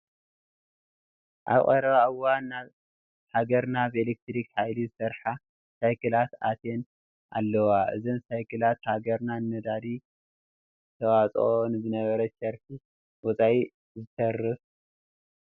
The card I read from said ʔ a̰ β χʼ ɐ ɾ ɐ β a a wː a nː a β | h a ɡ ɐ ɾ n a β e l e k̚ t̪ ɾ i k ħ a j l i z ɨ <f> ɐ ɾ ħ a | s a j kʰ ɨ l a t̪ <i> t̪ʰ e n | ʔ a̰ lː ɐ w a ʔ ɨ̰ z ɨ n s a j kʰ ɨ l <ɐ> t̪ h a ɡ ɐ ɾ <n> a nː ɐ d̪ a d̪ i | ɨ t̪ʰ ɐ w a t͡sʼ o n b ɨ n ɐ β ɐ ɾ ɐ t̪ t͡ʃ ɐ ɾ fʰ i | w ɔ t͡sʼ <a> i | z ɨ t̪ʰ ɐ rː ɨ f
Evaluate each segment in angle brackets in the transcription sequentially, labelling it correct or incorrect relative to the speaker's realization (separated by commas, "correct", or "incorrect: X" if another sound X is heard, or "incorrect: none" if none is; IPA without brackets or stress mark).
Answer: incorrect: s, incorrect: a, incorrect: a, correct, correct